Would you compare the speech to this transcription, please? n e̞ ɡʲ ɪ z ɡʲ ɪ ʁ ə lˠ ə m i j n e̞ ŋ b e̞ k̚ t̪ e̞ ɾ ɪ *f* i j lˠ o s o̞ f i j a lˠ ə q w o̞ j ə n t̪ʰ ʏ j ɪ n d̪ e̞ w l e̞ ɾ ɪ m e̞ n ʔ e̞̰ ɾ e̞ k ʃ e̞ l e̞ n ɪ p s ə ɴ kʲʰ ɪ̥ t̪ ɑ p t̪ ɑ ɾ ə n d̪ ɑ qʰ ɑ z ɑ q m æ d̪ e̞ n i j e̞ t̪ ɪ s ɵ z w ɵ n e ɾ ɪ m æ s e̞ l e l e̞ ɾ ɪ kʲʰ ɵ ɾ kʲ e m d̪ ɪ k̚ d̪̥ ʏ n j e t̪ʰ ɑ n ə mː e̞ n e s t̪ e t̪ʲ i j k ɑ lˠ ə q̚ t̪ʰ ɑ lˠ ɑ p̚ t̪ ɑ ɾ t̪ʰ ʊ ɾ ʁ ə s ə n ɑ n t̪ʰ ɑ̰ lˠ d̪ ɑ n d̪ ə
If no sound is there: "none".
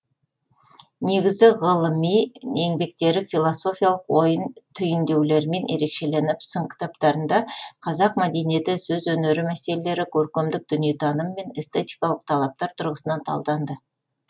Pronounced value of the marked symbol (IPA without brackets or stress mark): f